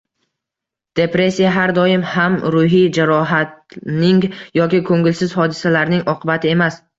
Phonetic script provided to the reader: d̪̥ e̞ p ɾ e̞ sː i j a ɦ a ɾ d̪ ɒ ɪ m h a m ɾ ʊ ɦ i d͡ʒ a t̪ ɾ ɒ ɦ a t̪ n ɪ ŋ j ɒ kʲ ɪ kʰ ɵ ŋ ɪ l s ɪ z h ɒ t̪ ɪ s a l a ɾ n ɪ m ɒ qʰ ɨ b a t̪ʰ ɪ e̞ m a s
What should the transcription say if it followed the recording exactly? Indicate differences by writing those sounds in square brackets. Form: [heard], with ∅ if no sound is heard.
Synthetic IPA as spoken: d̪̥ e̞ p ɾ e̞ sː i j a ɦ a ɾ d̪ ɒ ɪ m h a m ɾ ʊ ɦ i d͡ʒ a [∅] ɾ ɒ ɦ a t̪ n ɪ ŋ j ɒ kʲ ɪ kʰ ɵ ŋ ɪ l s ɪ z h ɒ [d̪] ɪ s a l a ɾ n ɪ [ŋ] ɒ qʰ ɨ b a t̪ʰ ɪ e̞ m a s